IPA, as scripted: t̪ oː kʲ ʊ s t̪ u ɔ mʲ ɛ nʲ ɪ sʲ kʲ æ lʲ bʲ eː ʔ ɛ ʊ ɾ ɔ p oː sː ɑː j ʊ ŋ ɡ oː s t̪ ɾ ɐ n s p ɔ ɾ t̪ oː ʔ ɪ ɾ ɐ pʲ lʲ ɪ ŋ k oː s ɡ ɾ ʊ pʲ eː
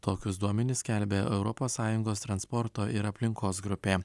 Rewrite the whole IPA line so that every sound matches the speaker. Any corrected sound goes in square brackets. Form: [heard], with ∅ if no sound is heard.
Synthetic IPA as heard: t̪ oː kʲ ʊ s [d̪] u ɔ mʲ ɛ nʲ ɪ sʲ kʲ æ lʲ bʲ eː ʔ ɛ ʊ ɾ ɔ p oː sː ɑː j ʊ ŋ ɡ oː s t̪ ɾ ɐ n s p ɔ ɾ t̪ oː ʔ ɪ ɾ ɐ pʲ lʲ ɪ ŋ k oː s ɡ ɾ ʊ pʲ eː